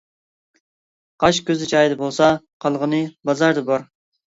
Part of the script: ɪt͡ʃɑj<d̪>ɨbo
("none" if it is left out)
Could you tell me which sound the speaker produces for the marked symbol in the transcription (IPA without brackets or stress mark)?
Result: d̪